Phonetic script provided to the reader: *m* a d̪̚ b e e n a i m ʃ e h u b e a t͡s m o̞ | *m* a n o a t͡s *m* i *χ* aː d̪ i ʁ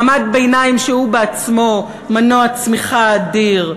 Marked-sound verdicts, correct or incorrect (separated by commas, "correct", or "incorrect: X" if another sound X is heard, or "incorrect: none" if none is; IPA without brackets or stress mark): correct, correct, correct, correct